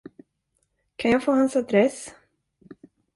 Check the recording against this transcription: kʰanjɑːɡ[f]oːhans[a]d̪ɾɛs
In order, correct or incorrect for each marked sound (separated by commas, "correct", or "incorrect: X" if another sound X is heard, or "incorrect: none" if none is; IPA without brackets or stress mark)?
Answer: correct, correct